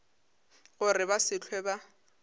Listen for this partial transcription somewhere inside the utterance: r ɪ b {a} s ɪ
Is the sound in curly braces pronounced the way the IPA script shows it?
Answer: yes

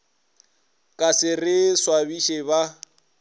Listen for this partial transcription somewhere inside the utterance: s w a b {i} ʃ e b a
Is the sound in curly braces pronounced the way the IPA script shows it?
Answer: yes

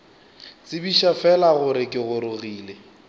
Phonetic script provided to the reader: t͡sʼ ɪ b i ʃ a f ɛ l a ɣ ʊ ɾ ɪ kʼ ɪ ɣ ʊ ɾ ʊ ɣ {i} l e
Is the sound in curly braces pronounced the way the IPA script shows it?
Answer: no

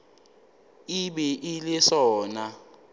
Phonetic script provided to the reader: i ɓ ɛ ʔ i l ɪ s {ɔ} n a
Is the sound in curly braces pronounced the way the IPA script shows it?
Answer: no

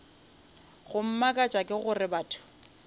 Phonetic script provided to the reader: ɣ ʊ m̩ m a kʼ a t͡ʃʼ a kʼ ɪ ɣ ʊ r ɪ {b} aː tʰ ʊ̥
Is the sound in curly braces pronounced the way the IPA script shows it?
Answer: yes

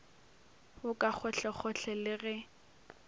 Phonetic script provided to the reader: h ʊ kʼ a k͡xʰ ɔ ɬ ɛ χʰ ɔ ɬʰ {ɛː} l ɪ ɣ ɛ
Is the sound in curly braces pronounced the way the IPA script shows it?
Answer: no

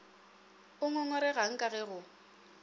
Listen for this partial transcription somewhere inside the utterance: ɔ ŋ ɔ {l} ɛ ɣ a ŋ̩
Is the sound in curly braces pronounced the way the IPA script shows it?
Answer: no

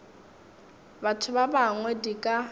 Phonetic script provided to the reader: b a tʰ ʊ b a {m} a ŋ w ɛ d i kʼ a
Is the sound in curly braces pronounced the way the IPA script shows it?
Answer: no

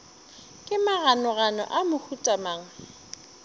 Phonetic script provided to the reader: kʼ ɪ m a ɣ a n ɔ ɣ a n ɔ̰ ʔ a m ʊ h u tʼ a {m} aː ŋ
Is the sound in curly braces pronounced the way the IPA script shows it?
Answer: yes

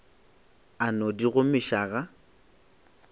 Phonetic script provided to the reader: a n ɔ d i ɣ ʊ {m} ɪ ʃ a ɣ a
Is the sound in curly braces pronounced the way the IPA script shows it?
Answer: yes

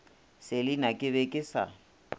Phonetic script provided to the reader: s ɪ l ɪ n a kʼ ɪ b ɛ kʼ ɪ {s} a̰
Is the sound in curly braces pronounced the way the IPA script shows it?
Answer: yes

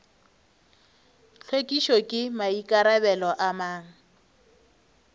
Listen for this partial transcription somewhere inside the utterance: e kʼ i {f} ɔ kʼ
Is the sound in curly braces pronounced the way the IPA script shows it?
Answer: no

